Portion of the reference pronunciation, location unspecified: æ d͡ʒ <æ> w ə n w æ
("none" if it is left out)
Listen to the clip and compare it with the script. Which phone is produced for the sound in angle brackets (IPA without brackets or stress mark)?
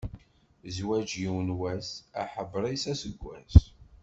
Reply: i